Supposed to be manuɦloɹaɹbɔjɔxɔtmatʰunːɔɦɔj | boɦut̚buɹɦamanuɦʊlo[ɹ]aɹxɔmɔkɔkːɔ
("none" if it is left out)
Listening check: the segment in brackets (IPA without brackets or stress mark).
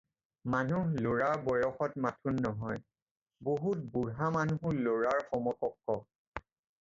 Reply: ɹ